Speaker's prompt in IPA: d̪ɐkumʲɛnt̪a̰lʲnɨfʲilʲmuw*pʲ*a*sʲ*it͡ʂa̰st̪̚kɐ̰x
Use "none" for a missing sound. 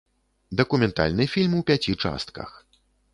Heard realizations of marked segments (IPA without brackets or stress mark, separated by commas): pʲ, t͡sʲ